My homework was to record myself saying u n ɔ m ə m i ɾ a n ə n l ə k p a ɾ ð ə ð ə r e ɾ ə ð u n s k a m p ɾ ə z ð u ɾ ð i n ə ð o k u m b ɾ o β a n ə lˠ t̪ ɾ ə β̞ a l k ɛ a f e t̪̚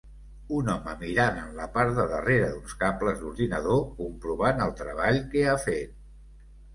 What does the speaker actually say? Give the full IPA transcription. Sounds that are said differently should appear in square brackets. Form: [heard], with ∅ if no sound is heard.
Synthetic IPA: u n ɔ m ə m i ɾ a n ə n l ə [∅] p a ɾ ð ə ð ə r e ɾ ə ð u n s k a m p [l] ə z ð u ɾ ð i n ə ð o k u m [p] ɾ [u] β a n ə lˠ t̪ ɾ ə β̞ a [ʎ] k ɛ a f e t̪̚